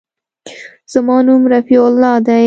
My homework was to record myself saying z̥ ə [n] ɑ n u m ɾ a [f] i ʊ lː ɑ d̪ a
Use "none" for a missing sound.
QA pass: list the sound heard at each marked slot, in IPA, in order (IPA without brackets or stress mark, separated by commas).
m, f